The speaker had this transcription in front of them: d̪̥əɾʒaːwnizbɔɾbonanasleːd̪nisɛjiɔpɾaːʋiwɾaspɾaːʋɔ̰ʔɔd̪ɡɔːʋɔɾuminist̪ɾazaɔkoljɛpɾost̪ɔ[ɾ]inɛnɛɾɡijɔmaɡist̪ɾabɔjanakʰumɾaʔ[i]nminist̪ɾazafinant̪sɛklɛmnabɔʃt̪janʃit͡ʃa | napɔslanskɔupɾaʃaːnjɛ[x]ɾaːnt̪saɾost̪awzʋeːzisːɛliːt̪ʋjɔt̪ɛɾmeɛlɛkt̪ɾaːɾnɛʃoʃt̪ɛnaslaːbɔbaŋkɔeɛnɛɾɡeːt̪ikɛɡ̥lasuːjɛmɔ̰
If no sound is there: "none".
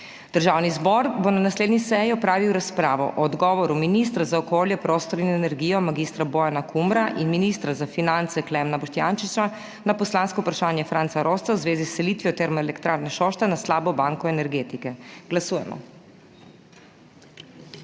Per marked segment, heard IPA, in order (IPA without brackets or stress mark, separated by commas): ɾ, i, f